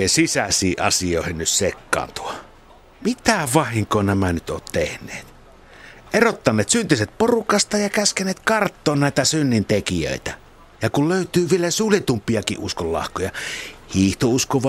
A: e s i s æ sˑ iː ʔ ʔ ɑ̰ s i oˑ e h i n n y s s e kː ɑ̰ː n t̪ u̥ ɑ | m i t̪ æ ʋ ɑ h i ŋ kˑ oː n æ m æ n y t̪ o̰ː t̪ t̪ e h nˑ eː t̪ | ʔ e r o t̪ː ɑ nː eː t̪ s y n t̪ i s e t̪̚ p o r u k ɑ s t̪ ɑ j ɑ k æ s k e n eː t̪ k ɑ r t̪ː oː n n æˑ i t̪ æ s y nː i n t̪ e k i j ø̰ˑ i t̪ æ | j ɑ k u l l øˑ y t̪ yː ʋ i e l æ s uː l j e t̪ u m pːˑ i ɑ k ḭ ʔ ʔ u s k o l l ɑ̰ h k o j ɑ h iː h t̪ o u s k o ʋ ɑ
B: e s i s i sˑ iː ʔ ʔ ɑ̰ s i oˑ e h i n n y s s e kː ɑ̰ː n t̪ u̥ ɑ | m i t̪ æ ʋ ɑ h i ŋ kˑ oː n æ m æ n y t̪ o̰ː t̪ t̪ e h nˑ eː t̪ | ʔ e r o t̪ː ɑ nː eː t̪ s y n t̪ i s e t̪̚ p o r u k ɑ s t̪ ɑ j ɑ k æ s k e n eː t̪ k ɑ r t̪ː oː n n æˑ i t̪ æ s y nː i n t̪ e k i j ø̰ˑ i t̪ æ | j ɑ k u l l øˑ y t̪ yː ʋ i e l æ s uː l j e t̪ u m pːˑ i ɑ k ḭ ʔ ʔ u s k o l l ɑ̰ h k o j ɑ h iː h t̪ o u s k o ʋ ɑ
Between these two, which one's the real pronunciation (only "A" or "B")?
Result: A